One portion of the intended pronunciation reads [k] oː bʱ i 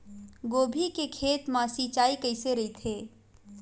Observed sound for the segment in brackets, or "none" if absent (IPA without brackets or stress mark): ɡ